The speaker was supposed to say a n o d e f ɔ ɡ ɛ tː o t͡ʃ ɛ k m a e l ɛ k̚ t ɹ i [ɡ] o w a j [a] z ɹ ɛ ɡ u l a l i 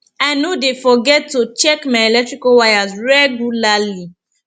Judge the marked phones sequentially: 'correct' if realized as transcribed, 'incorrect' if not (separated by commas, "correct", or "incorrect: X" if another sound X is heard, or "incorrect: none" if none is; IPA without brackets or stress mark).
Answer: incorrect: k, correct